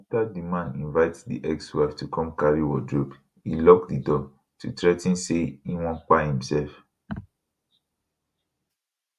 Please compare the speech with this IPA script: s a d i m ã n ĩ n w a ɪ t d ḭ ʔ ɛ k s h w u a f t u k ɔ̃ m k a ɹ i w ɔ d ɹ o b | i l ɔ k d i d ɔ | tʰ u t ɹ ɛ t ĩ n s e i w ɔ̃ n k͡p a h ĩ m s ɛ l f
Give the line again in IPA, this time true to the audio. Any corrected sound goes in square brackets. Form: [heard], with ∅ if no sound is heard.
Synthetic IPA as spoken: [t] a d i m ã n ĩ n [v] a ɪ t d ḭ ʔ ɛ k s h w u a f t u k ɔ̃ m k a ɹ i w ɔ d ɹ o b | i l ɔ k d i d ɔ | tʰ u t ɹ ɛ t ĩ n s e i w ɔ̃ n k͡p a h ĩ m s ɛ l f